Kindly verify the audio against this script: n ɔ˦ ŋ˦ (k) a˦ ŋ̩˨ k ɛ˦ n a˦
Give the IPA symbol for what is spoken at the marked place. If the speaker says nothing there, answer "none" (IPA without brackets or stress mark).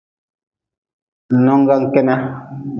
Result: ɡ